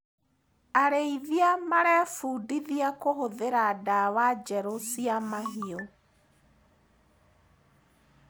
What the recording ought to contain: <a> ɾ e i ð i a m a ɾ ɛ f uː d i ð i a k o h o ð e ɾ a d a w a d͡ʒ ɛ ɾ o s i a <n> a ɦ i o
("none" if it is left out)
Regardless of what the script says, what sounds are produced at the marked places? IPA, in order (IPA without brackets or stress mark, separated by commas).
a, m